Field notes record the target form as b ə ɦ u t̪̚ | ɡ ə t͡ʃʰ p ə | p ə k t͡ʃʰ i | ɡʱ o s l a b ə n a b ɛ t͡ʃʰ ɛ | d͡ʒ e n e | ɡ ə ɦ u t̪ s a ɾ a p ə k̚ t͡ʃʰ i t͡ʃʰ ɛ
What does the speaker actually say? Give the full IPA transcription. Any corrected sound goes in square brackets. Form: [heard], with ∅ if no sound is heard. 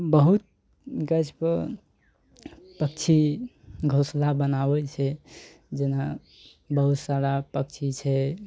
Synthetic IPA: b ə ɦ u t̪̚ | ɡ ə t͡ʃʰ p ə | p ə k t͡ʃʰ i | ɡʱ o s l a b ə n a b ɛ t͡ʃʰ ɛ | d͡ʒ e n [a] | [b] ə ɦ u t̪ s a ɾ a p ə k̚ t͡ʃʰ i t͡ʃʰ ɛ